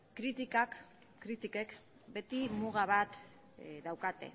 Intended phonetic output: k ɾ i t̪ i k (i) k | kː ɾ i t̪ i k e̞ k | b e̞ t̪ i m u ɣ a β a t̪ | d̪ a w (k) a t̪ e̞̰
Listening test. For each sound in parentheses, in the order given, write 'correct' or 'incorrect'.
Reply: incorrect: a, correct

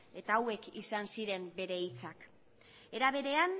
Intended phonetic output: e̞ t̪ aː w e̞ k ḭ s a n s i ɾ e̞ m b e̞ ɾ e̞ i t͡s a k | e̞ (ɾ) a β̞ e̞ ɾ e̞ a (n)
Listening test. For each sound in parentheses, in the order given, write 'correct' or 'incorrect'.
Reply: correct, correct

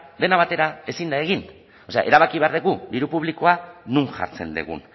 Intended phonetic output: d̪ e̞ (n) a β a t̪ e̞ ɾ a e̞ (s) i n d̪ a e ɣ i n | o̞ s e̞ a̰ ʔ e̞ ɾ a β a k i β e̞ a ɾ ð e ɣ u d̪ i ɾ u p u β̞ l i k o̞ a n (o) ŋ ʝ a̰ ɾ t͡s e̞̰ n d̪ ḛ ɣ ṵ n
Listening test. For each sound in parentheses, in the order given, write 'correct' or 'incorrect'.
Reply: correct, correct, incorrect: u

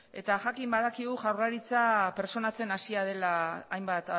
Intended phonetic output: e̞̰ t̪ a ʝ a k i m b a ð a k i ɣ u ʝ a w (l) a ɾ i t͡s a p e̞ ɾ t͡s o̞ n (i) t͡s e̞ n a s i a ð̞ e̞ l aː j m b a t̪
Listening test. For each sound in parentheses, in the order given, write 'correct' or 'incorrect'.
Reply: incorrect: r, incorrect: a

